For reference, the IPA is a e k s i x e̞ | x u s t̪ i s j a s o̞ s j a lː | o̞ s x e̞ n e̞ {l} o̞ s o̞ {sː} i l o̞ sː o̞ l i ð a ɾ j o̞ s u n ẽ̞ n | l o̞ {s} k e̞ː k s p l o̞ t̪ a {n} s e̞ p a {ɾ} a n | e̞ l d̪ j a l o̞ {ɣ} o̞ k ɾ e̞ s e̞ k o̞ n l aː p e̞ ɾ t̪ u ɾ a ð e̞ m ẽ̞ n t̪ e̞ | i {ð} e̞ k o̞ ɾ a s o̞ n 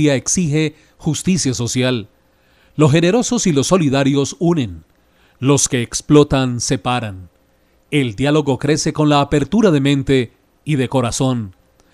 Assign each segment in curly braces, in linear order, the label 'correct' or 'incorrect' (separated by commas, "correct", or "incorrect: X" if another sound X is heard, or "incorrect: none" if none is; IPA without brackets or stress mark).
incorrect: ɾ, incorrect: s, correct, correct, correct, correct, correct